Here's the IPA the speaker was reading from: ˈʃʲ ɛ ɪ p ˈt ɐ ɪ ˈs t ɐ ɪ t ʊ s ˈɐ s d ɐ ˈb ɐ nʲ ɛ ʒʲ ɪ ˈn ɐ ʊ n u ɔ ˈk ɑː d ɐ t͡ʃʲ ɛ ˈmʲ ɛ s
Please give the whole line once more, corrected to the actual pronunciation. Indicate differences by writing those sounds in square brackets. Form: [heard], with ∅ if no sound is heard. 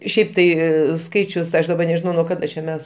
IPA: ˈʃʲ ɛ ɪ p ˈt ɐ ɪ ˈs [k] ɐ ɪ [t͡ʃʲ] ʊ s ˈɐ [ʃ] d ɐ ˈb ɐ nʲ ɛ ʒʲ ɪ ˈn ɐ ʊ n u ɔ ˈk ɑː d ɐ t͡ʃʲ ɛ ˈmʲ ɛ s